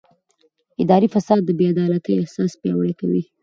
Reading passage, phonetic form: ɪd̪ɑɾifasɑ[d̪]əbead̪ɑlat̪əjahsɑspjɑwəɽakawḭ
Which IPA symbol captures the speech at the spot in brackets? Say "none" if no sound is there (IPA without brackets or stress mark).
d̪ː